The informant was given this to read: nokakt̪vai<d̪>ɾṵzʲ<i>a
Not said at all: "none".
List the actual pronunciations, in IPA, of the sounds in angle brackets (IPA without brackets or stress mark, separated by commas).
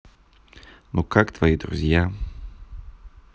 d̪, j